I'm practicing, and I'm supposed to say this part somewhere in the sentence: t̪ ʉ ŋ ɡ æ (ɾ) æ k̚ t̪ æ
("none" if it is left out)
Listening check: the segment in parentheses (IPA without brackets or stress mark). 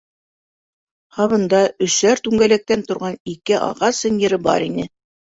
l